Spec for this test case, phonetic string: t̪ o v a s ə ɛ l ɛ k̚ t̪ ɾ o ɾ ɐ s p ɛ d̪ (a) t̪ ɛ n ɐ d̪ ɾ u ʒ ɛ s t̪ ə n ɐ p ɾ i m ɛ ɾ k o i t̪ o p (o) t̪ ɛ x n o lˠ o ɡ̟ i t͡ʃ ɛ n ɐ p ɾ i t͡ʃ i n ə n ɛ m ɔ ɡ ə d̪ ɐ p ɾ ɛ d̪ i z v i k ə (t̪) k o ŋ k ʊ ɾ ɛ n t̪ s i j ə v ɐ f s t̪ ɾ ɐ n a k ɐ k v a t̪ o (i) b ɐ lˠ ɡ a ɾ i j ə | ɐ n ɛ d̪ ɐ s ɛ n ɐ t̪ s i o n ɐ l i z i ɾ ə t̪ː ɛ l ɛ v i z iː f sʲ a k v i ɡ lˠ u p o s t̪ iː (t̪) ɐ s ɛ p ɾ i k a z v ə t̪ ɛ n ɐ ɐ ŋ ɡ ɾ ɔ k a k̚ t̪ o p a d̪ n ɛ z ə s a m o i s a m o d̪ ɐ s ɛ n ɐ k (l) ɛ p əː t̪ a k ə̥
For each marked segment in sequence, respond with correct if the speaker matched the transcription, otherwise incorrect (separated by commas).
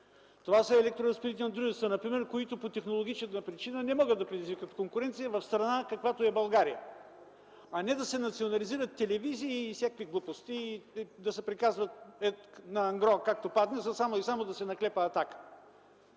incorrect, correct, correct, incorrect, incorrect, correct